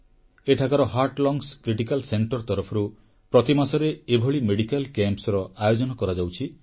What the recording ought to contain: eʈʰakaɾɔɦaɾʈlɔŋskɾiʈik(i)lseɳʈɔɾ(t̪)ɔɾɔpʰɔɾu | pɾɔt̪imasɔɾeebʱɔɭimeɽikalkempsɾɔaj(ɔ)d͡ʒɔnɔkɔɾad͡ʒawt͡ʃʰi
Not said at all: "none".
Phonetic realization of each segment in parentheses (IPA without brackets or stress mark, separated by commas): a, t̪, o